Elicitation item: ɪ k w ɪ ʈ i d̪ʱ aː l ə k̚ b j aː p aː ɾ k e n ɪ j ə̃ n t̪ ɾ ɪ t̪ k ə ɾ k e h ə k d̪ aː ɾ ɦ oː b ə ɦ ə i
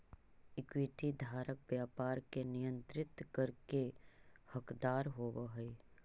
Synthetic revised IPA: ɪ k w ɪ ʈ i d̪ʱ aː ɾ ə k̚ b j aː p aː ɾ k e n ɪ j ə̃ n t̪ ɾ ɪ t̪ k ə ɾ k e h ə k d̪ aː ɾ ɦ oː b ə ɦ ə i